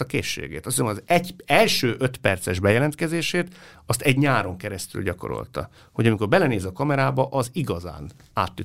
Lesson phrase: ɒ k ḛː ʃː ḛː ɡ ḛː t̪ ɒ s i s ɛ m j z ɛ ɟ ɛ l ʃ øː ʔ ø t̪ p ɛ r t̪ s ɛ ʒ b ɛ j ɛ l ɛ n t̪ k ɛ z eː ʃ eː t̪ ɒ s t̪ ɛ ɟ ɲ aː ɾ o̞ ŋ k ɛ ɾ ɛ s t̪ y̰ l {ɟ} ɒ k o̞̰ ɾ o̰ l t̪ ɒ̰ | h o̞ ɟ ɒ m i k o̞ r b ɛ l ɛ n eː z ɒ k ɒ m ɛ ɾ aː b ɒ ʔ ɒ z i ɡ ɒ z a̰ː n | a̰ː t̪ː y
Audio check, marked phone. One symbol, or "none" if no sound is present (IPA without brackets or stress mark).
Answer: ɟ